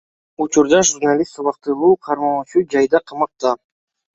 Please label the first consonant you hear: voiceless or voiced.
voiceless